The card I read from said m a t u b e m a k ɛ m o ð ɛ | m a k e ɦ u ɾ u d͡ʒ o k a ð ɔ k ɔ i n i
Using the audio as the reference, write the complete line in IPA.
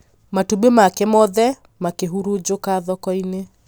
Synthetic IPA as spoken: m a t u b e m a k ɛ m ɔ ð ɛ | m a k e ɦ u ɾ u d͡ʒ o k a ð ɔ k ɔ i n e